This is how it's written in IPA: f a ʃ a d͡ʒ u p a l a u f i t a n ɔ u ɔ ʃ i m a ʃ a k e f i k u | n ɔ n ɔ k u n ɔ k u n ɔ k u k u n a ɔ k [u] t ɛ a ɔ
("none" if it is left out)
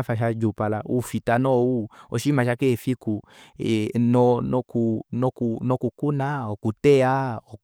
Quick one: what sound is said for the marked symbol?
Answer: u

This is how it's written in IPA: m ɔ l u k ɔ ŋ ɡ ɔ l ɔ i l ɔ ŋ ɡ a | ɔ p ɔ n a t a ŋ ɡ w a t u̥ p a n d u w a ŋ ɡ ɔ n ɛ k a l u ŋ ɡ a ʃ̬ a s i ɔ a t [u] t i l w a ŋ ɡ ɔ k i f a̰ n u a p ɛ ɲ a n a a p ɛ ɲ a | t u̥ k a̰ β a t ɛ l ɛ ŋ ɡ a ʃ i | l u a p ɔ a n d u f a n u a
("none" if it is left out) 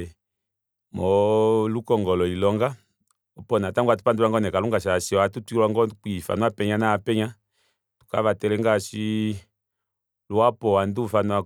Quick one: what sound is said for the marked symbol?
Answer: u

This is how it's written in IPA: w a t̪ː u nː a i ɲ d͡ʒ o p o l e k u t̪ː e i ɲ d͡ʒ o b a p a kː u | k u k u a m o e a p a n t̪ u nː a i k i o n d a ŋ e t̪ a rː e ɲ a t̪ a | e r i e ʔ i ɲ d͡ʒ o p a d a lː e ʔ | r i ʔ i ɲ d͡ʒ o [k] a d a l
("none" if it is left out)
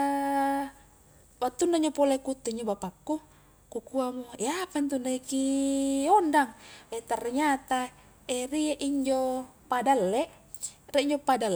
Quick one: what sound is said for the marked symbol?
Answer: p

